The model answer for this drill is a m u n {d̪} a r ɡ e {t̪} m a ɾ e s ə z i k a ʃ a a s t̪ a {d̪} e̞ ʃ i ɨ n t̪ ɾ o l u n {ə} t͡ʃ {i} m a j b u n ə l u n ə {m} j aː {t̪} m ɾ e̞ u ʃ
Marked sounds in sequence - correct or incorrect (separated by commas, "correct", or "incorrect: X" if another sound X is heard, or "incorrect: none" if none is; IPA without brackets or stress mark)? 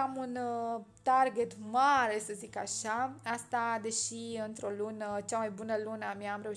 incorrect: t̪, correct, correct, correct, incorrect: a, correct, incorrect: none